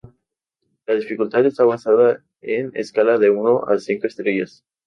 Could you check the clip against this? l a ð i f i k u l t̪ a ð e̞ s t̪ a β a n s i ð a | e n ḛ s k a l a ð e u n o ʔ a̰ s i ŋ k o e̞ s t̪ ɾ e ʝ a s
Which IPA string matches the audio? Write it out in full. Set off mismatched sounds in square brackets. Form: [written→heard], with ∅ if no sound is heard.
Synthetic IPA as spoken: l a ð i f i k u l t̪ a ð e̞ s t̪ a β a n s [i→a] ð a | e n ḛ s k a l a ð e u n o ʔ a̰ s i ŋ k o e̞ s t̪ ɾ e ʝ a s